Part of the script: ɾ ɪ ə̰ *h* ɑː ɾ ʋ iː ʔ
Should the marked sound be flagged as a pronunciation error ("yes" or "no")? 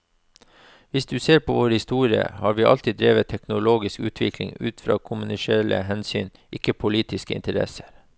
no